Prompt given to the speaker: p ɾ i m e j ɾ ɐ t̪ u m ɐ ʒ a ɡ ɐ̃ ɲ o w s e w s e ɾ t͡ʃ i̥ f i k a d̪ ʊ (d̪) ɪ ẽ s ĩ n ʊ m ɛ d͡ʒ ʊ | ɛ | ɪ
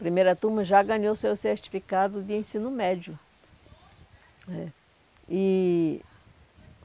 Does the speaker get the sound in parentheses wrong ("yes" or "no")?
no